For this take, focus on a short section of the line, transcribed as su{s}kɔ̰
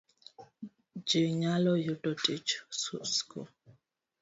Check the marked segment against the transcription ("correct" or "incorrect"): correct